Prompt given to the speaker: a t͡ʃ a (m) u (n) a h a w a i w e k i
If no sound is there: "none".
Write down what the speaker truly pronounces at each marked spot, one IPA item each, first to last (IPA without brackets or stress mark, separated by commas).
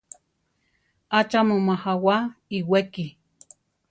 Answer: m, m